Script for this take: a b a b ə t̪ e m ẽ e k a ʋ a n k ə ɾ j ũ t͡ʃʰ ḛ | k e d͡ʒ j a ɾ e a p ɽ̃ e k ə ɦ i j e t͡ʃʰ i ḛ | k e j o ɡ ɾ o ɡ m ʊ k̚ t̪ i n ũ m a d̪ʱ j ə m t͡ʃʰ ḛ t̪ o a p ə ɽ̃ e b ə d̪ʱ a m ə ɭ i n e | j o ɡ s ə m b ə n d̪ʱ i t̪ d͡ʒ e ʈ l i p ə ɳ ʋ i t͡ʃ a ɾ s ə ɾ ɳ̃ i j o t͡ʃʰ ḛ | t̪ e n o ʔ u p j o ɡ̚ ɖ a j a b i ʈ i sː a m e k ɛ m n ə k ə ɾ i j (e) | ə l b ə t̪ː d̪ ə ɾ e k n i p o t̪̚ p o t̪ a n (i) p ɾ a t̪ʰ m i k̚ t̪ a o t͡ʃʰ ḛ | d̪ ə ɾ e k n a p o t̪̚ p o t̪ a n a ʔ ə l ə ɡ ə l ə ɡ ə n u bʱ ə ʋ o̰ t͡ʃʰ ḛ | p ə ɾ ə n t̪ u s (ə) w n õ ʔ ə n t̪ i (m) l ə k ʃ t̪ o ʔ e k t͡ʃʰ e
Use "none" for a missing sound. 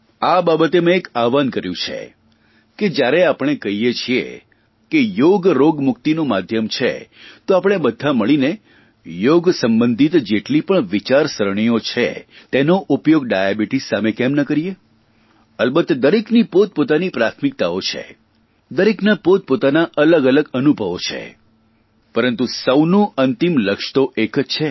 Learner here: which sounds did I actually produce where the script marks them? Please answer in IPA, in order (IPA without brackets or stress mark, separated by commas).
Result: e, i, ə, m